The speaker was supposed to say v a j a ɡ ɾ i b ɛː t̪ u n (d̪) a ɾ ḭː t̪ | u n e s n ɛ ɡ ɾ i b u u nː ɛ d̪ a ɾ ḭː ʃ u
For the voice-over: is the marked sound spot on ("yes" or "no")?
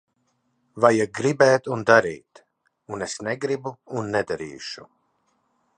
yes